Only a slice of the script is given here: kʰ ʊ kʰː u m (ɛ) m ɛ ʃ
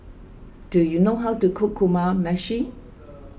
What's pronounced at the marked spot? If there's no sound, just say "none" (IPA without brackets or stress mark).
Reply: a